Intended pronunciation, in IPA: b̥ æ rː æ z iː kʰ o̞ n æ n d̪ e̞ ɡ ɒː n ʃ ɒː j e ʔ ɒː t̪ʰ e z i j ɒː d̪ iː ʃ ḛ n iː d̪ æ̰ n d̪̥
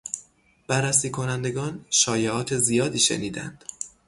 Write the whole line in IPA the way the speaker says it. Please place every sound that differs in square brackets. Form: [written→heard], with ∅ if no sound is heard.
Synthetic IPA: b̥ æ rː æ [z→s] iː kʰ o̞ n æ n d̪ e̞ ɡ ɒː n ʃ ɒː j e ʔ ɒː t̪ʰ e z i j ɒː d̪ iː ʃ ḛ n iː d̪ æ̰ n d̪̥